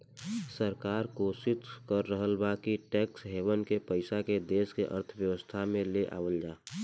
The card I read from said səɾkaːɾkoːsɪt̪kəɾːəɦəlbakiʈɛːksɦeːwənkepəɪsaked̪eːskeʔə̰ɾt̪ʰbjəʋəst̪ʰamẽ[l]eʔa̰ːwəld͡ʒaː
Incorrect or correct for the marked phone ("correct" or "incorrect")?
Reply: correct